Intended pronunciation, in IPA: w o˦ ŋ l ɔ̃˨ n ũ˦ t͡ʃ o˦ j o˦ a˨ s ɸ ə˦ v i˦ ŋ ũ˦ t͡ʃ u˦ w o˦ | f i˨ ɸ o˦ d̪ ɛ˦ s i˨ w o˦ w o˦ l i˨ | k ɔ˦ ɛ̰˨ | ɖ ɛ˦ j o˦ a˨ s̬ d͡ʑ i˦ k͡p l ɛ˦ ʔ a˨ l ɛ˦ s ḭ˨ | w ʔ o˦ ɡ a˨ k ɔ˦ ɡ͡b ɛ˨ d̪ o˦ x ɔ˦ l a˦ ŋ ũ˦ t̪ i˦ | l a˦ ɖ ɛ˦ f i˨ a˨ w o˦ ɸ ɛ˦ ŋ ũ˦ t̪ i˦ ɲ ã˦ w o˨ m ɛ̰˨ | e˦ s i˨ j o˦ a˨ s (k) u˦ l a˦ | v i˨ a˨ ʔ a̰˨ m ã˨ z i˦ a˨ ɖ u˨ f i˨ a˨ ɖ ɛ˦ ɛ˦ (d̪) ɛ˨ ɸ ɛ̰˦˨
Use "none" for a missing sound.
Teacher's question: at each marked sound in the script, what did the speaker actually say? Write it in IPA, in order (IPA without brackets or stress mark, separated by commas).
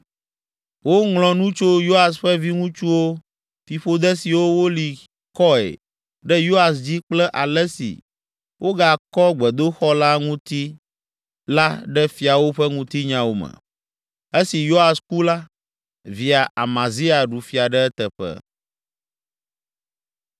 k, t̪